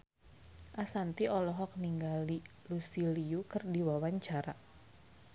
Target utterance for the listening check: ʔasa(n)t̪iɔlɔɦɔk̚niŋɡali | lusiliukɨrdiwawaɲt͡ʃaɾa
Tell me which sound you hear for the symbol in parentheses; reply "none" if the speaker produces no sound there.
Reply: n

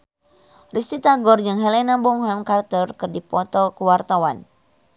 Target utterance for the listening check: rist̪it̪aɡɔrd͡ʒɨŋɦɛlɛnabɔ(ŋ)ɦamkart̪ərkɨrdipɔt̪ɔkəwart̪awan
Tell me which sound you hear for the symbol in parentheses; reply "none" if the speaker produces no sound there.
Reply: ŋ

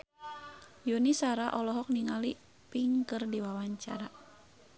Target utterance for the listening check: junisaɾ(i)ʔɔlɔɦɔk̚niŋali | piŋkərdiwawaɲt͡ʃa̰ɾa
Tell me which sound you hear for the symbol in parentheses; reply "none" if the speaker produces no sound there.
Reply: a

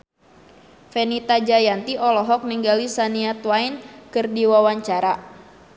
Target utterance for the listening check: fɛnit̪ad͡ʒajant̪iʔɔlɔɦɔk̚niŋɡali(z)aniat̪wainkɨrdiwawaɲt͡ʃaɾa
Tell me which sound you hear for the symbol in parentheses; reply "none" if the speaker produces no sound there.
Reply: s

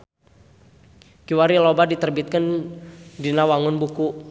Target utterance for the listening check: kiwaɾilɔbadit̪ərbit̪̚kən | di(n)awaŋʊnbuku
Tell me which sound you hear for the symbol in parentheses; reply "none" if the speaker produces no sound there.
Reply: n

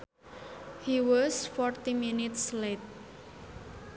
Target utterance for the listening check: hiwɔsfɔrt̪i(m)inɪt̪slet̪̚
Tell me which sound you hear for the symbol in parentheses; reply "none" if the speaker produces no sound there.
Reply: m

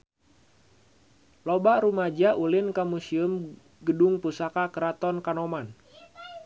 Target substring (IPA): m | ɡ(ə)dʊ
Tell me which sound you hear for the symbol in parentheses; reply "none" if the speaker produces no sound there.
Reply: ə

